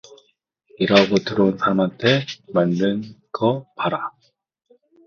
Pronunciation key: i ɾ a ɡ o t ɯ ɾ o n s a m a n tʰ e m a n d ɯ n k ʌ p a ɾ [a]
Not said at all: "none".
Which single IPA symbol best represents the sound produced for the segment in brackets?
a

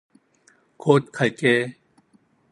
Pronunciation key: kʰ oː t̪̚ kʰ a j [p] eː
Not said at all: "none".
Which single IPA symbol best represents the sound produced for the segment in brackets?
k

